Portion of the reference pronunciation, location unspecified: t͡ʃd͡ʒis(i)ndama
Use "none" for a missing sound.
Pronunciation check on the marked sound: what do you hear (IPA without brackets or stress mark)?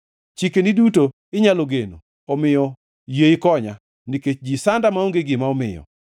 a